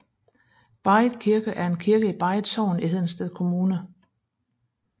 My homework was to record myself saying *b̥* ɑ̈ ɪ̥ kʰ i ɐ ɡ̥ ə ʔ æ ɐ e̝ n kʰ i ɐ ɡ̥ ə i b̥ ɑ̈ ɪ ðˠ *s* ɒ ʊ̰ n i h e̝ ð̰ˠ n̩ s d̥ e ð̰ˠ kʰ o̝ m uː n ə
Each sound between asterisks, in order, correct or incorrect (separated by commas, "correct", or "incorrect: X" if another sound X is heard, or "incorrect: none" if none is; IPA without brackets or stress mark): correct, correct